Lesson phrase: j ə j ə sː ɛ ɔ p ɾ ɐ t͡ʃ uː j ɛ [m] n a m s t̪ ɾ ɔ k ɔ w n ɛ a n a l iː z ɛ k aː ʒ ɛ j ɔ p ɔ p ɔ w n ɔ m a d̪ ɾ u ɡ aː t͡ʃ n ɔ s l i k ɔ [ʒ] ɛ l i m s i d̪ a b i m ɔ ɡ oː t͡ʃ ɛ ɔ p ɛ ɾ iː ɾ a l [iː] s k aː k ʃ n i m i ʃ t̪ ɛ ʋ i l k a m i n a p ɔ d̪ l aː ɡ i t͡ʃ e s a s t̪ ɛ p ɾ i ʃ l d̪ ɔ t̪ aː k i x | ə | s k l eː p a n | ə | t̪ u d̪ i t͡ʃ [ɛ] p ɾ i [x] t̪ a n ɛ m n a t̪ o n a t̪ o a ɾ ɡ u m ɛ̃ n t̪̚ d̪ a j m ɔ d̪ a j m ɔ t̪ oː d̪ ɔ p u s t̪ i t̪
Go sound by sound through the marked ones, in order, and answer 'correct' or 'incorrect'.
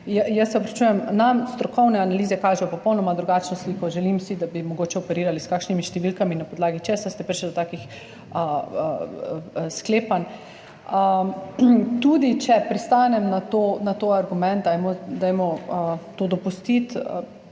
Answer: correct, correct, incorrect, correct, incorrect

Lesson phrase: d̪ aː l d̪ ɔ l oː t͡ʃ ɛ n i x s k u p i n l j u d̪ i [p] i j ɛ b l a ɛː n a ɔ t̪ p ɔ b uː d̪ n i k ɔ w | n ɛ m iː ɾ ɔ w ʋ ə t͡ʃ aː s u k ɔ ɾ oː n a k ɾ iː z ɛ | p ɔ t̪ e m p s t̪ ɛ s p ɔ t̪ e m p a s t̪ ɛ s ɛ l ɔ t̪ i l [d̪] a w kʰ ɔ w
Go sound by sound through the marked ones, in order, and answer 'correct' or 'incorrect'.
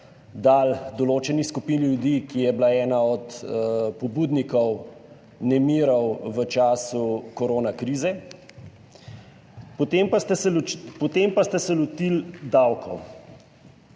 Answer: incorrect, correct

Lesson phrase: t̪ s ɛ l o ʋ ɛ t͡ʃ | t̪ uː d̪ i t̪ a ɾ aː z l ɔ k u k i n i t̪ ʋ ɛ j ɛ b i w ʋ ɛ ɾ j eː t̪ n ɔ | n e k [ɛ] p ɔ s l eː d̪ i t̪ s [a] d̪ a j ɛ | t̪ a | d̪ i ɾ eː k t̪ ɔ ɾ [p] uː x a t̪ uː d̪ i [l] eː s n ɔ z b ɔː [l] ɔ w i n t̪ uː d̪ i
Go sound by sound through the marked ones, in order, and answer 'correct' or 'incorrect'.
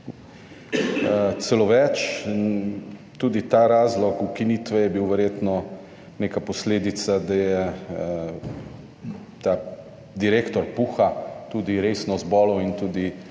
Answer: incorrect, correct, correct, incorrect, correct

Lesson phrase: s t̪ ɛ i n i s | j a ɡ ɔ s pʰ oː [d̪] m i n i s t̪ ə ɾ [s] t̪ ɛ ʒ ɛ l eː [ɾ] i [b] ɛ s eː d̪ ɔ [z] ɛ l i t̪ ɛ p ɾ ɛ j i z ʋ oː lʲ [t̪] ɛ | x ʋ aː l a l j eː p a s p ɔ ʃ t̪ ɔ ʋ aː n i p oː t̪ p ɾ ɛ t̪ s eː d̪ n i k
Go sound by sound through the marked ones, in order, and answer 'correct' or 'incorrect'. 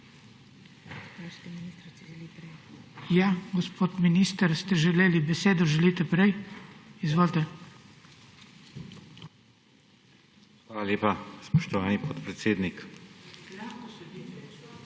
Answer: incorrect, correct, incorrect, correct, incorrect, correct

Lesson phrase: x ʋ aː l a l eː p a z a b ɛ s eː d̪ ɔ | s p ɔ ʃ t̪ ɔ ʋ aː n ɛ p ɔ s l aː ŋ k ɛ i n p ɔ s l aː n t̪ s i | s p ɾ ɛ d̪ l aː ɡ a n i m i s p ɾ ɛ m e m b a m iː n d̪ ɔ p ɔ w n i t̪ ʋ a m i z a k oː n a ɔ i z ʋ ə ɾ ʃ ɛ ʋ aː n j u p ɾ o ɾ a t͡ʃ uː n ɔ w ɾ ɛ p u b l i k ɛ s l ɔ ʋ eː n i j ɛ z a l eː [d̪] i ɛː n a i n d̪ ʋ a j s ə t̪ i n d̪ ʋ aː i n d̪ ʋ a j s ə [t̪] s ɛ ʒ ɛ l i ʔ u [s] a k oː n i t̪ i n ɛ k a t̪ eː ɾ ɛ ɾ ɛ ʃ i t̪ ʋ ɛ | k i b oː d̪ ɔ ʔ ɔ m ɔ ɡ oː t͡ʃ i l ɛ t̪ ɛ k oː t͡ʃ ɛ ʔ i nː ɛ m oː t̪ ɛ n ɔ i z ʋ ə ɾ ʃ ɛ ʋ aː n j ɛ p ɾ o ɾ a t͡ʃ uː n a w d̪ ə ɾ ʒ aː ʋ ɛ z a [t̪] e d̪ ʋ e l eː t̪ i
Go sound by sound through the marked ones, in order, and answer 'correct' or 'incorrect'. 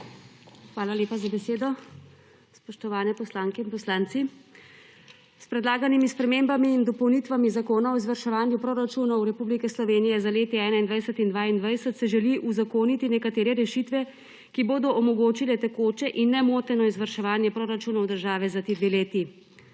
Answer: incorrect, correct, incorrect, correct

